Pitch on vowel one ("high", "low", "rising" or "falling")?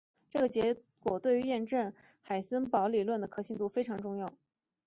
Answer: falling